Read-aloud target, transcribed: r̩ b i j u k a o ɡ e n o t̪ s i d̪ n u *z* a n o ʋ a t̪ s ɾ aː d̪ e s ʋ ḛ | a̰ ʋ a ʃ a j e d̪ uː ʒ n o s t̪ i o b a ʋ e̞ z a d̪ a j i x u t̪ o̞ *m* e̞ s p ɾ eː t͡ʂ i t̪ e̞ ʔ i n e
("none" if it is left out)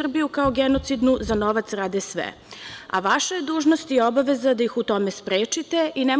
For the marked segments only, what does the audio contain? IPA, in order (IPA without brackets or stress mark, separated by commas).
z, m